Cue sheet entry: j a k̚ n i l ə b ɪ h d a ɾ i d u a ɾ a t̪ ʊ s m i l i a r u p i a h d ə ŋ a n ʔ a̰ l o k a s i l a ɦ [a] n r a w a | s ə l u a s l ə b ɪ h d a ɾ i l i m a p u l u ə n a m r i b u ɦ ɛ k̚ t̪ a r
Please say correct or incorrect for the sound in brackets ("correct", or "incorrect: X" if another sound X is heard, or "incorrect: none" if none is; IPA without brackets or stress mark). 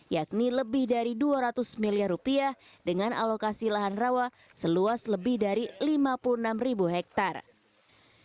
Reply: correct